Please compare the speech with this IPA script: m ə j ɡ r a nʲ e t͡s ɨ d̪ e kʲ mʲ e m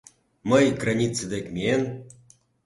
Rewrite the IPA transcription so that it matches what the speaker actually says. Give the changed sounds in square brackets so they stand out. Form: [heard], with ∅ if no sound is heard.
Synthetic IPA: m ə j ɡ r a nʲ [i] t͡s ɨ d̪ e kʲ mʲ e [n]